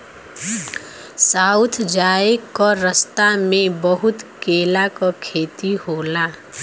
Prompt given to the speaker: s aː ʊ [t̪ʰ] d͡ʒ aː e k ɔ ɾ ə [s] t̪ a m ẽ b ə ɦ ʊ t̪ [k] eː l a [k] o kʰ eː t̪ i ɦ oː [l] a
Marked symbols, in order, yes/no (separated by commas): yes, yes, yes, yes, yes